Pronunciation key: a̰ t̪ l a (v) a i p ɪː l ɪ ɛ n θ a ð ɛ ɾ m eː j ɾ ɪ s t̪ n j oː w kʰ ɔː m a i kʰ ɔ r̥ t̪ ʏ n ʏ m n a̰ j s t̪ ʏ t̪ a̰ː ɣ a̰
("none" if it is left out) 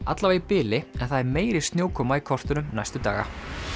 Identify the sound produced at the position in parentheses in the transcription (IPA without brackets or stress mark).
v